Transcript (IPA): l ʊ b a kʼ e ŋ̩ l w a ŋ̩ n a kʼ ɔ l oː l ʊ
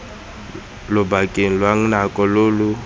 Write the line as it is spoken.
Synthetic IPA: l ʊ b a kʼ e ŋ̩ l w a ŋ̩ n a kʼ ɔ l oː l ʊ